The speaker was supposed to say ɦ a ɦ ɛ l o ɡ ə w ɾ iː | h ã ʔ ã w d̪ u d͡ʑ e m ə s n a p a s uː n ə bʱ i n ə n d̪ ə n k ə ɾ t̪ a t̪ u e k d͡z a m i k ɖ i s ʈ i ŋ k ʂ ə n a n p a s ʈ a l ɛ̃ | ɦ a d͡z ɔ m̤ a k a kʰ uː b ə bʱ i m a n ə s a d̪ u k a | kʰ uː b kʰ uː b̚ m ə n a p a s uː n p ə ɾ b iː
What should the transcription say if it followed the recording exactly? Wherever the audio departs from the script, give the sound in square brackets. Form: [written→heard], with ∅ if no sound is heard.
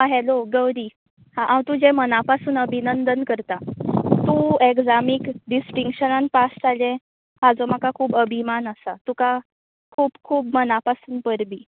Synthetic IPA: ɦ a ɦ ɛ l o ɡ ə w ɾ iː | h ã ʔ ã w [d̪→t̪] u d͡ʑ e m ə [s→∅] n a p a s uː n ə bʱ i n ə n d̪ ə n k ə ɾ t̪ a t̪ u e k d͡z a m i k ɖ i s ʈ i ŋ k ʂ ə n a n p a s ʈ a l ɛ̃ | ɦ a d͡z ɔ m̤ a k a kʰ uː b ə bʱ i m a n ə s a [d̪→t̪] u k a | kʰ uː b kʰ uː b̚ m ə n a p a s uː n p ə ɾ b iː